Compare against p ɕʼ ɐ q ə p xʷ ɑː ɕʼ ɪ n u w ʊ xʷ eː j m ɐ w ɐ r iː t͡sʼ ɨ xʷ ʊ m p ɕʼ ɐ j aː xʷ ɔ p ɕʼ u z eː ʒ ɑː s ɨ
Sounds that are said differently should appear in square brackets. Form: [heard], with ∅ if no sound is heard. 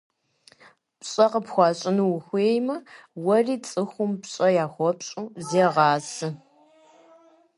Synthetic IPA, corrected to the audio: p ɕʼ ɐ q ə p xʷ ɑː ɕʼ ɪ n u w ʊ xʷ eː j m ɐ w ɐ r iː t͡sʼ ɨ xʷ ʊ m p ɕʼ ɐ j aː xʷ ɔ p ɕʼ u z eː [ʁ] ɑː s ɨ

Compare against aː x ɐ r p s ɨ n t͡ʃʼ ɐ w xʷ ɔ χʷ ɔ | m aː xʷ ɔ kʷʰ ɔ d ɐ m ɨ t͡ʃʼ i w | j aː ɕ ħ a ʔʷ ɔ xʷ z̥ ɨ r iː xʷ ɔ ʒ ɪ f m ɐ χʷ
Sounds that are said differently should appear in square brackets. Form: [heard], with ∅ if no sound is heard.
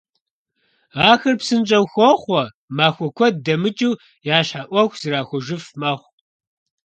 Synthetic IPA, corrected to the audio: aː x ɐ r p s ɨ n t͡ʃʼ ɐ w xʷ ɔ χʷ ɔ | m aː xʷ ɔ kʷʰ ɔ d ɐ m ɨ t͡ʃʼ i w | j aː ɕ ħ a ʔʷ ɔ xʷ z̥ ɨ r [aː] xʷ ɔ ʒ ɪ f m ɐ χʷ

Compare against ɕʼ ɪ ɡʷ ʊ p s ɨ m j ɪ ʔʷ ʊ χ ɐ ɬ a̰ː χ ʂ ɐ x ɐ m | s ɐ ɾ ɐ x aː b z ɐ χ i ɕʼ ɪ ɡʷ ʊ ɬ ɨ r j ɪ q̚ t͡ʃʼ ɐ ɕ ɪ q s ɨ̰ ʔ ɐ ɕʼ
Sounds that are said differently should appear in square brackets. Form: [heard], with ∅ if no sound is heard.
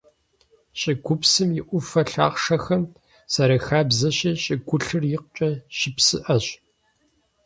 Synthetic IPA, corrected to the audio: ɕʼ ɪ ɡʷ ʊ p s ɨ m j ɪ ʔʷ ʊ [f] ɐ ɬ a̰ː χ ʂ ɐ x ɐ m | s ɐ ɾ ɐ x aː b z ɐ [ɕ] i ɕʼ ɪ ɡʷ ʊ ɬ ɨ r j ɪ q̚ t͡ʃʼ ɐ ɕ ɪ [p] s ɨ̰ ʔ ɐ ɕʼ

